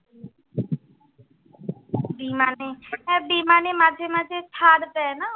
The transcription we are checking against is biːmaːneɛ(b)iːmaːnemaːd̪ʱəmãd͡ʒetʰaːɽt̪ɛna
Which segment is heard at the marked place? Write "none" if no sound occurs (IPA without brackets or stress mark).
b